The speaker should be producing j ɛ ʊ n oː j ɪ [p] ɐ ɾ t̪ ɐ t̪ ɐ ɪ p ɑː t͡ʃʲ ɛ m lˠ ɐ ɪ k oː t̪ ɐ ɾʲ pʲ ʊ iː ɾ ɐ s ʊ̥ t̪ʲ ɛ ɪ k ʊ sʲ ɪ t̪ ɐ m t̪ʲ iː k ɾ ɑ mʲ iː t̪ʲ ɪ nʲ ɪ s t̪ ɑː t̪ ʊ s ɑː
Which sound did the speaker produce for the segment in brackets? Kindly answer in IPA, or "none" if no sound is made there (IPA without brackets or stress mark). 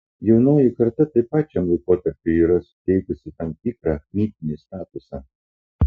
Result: k